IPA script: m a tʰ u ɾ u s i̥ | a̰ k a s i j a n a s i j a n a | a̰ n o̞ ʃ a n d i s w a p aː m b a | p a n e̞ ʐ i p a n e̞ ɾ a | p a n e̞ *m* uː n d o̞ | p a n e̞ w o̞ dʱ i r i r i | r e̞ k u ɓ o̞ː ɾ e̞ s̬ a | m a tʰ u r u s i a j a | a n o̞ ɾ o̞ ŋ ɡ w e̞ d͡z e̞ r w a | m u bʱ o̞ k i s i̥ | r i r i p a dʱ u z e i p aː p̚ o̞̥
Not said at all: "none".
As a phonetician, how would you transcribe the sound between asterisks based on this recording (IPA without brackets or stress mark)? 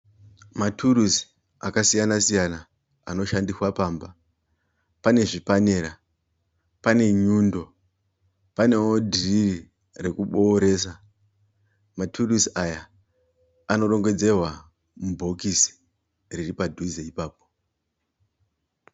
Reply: ɲ